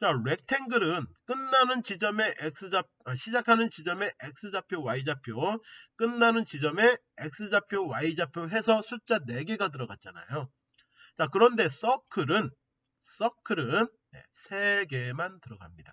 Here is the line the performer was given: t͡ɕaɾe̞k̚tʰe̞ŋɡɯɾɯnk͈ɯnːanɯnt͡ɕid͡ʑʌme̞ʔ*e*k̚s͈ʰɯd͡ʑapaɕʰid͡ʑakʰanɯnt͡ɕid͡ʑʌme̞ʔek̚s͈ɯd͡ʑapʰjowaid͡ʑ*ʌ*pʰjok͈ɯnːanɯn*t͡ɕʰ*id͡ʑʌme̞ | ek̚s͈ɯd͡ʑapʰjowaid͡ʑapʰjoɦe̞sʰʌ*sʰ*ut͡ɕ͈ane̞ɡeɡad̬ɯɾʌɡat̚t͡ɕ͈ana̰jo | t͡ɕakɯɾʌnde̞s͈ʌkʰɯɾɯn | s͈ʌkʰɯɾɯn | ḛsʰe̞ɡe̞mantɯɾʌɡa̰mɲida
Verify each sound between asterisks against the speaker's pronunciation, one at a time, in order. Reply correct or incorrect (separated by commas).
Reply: correct, incorrect, incorrect, correct